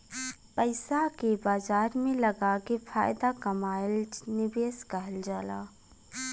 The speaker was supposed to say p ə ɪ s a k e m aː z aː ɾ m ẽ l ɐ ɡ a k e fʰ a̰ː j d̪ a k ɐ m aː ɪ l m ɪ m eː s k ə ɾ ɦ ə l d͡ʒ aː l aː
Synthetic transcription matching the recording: p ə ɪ s a k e b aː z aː ɾ m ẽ l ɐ ɡ a k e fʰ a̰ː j d̪ a k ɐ m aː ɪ l n ɪ b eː s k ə ɦ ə l d͡ʒ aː l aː